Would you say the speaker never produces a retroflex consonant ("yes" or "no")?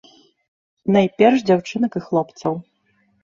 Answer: no